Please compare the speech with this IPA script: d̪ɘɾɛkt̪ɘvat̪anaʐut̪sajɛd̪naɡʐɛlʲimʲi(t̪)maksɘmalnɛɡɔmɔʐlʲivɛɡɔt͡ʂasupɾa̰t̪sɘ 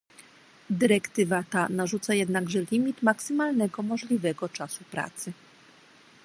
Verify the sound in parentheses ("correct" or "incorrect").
correct